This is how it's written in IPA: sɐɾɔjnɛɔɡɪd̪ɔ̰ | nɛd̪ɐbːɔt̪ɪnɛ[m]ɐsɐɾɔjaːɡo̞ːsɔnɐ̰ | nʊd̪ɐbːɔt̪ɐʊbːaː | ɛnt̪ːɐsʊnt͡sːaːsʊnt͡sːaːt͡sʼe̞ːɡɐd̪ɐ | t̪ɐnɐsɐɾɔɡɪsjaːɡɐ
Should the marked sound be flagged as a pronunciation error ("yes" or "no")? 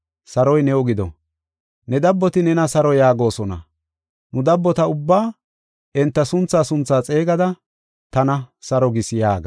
yes